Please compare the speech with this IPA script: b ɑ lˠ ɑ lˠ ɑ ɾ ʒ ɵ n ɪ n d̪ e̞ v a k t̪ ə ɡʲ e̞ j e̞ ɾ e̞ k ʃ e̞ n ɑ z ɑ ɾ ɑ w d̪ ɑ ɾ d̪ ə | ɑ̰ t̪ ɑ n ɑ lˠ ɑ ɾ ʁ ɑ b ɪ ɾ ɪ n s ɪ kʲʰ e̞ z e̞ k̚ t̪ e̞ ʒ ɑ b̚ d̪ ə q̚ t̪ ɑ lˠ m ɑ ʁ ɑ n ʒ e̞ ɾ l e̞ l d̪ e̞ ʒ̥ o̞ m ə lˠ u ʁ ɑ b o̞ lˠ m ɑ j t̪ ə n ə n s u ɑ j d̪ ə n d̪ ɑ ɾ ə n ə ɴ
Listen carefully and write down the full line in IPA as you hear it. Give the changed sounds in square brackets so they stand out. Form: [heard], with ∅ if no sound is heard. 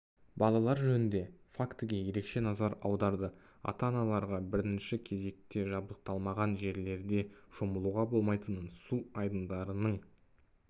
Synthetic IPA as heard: b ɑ lˠ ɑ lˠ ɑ ɾ ʒ ɵ n ɪ n d̪ e̞ [f] a k t̪ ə ɡʲ e̞ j e̞ ɾ e̞ k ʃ e̞ n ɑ z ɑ ɾ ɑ w d̪ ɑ ɾ d̪ ə | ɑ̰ t̪ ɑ n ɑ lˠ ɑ ɾ ʁ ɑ b ɪ ɾ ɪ n [ʃ] ɪ kʲʰ e̞ z e̞ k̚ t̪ e̞ ʒ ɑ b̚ d̪ ə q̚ t̪ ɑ lˠ m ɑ ʁ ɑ n ʒ e̞ ɾ l e̞ [ɾ] d̪ e̞ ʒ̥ o̞ m ə lˠ u ʁ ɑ b o̞ lˠ m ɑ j t̪ ə n ə n s u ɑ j d̪ ə n d̪ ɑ ɾ ə n ə ɴ